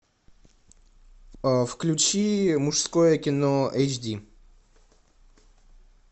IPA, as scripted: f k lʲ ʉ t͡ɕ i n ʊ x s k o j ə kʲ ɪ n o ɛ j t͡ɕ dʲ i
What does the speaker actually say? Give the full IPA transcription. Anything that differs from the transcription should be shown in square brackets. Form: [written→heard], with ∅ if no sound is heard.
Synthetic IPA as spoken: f k lʲ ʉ t͡ɕ i [n→m] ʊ [x→ʂ] s k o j ə kʲ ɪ n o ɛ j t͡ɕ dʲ i